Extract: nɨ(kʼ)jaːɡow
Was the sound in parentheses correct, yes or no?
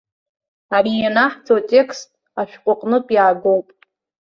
no